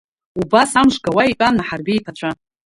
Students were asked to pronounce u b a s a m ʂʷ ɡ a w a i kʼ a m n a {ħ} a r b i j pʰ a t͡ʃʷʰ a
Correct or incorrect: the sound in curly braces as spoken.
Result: correct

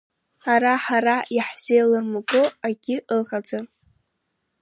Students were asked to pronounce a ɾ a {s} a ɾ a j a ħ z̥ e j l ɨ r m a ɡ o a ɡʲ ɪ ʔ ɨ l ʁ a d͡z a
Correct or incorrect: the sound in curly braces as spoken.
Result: incorrect: ħ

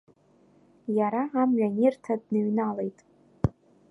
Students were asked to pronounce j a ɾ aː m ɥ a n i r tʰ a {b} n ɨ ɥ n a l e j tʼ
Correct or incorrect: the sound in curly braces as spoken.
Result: incorrect: d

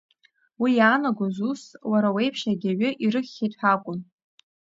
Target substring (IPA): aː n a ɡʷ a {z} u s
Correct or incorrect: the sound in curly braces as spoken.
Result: correct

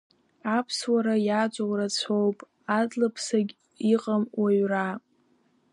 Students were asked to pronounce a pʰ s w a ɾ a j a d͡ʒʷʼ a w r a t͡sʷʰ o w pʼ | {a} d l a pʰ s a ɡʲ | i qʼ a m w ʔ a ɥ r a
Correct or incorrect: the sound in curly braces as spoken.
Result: correct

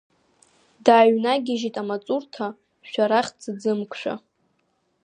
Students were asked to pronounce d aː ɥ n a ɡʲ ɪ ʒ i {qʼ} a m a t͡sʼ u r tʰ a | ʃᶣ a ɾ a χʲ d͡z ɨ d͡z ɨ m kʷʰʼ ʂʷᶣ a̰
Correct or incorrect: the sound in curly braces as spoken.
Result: incorrect: tʼ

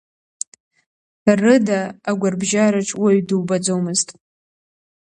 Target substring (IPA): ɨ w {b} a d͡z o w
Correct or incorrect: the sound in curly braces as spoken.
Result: correct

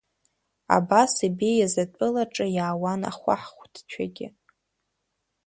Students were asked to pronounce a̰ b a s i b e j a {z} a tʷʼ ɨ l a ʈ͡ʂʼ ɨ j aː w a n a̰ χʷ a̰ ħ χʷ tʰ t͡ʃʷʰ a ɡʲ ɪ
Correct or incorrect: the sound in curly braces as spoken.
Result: correct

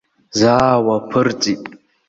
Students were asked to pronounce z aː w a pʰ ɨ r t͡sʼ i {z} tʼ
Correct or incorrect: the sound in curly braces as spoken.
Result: incorrect: none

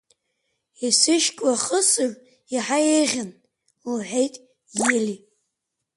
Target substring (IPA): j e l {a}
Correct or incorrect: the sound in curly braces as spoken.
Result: incorrect: i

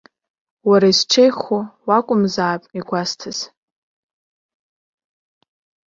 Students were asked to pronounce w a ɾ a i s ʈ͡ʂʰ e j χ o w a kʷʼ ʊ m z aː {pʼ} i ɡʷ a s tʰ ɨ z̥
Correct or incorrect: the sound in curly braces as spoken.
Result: correct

